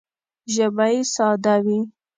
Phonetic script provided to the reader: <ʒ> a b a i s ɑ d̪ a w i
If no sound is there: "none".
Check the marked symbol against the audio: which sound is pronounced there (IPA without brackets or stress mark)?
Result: ʒ